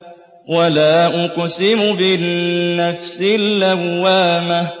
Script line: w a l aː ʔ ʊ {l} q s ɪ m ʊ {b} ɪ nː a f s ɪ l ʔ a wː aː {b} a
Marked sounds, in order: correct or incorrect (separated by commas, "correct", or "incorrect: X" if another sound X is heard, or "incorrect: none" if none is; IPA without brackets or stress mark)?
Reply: incorrect: none, correct, incorrect: m